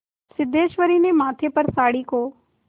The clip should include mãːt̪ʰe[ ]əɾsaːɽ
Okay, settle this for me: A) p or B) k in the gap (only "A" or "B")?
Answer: A